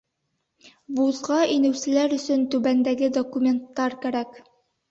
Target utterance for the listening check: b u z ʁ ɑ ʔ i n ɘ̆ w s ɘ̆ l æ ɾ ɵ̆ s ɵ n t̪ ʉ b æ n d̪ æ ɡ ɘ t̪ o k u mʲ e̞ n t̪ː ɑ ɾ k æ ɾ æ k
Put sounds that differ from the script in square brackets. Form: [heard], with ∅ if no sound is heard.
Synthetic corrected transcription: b u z ʁ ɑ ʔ i n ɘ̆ w s ɘ̆ l æ ɾ ɵ̆ s ɵ n t̪ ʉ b æ n d̪ æ ɡ ɘ [d̪] o k u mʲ e̞ n t̪ː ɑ ɾ k æ ɾ æ k

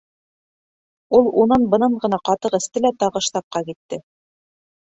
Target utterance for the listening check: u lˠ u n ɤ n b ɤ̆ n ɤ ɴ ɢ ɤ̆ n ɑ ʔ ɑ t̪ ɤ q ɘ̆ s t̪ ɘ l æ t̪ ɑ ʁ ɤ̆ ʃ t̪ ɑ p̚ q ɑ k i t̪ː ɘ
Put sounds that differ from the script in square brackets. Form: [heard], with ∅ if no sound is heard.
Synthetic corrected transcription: u lˠ u n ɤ n b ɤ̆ n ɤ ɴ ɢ ɤ̆ n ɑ [q] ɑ t̪ ɤ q ɘ̆ s t̪ ɘ l æ t̪ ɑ ʁ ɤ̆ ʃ t̪ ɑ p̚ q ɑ k i t̪ː ɘ

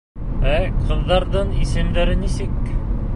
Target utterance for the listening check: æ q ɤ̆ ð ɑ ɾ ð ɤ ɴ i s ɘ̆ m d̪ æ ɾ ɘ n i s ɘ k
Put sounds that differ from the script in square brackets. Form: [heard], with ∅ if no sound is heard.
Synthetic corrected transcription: æ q ɤ̆ [ðː] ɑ ɾ ð ɤ ɴ i s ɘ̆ m d̪ æ ɾ ɘ n i s ɘ k

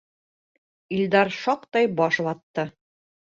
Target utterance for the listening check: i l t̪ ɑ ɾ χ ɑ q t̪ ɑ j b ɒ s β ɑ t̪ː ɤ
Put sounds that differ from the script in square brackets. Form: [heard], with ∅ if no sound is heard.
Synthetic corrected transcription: i l [d̪] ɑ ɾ [ʃ] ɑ q t̪ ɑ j b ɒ [ʃ] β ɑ t̪ː ɤ

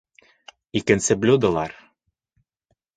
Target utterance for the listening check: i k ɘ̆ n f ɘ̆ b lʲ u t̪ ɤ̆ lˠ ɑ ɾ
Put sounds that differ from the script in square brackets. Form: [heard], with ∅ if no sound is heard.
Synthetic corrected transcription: i k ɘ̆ n [s] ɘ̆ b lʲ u [d̪] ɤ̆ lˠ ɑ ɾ

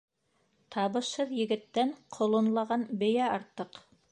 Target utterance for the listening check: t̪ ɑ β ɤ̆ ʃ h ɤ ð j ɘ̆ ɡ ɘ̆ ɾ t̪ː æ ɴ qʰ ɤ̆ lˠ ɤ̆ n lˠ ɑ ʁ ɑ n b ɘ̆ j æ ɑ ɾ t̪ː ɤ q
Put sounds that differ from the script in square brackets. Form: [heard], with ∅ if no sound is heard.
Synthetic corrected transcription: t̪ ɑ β ɤ̆ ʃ h ɤ ð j ɘ̆ ɡ ɘ̆ [∅] t̪ː æ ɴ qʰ [ŏ] lˠ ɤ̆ n lˠ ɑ ʁ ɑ n b ɘ̆ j æ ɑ ɾ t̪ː ɤ q

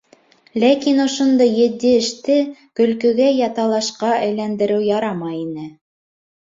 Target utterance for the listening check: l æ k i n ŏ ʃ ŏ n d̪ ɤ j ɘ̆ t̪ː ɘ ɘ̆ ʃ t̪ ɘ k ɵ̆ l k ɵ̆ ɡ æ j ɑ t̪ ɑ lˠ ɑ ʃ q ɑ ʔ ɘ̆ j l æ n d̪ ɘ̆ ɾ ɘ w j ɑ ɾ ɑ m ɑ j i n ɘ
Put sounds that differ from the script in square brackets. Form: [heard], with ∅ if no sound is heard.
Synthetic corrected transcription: l æ k i n ŏ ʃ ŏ n d̪ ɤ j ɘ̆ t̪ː ɘ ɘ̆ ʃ t̪ ɘ k ɵ̆ l k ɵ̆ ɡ æ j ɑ t̪ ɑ lˠ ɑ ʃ q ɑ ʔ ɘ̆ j l æ n d̪ ɘ̆ ɾ ɘ w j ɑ ɾ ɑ m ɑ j i n ɘ

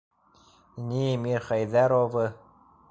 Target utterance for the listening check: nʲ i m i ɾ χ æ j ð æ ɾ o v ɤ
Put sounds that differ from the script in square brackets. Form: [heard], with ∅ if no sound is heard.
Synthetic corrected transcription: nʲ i m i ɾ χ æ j ð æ ɾ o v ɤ

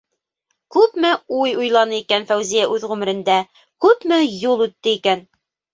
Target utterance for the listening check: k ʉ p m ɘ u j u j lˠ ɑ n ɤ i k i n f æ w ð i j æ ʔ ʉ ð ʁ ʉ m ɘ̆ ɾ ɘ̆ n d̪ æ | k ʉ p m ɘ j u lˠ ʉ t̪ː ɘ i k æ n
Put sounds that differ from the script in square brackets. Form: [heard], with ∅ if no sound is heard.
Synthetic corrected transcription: k ʉ p m ɘ u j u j lˠ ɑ n ɤ i k [æ] n f æ w [z] i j æ ʔ ʉ ð ʁ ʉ m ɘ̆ ɾ ɘ̆ n d̪ æ | k ʉ p m ɘ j u lˠ ʉ t̪ː ɘ i k æ n

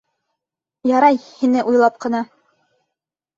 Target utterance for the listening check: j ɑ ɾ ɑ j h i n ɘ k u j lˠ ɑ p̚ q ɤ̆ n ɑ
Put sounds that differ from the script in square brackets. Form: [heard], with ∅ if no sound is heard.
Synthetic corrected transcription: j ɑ ɾ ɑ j h i n ɘ [ʔ] u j lˠ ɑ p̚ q ɤ̆ n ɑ

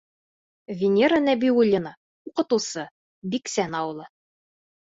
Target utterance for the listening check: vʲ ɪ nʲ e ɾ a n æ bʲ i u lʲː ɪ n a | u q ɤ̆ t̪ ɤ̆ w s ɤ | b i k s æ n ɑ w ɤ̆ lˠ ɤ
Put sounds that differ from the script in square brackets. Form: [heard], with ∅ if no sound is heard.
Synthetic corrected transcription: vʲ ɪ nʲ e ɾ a n æ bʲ i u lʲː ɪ n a | u q ɤ̆ t̪ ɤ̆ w s ɤ | b i k s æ n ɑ w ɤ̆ lˠ ɤ

